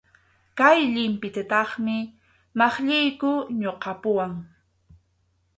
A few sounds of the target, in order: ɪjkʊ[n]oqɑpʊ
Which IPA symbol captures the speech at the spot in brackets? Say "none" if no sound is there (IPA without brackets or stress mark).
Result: ɲ